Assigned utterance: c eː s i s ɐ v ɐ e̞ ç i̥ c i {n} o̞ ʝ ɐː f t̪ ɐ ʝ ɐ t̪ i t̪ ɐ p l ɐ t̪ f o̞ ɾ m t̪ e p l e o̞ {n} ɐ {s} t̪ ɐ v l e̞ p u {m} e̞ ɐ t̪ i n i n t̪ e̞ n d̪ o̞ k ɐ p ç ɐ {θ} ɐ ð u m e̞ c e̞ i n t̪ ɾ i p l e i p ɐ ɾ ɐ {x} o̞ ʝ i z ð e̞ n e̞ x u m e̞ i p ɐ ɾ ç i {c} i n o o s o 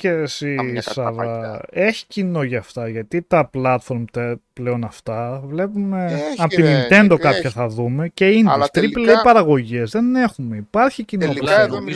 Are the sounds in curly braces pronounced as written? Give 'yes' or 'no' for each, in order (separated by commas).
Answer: yes, yes, no, yes, yes, no, yes